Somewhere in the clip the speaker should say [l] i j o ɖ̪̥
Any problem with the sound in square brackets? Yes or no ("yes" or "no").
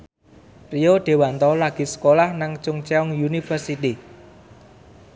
yes